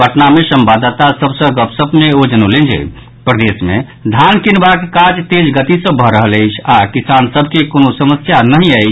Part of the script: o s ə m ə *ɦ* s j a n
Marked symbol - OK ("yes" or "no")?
no